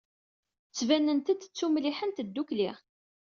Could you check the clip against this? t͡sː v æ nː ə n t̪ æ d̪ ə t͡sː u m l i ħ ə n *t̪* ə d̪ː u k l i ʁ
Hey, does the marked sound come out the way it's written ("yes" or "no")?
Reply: yes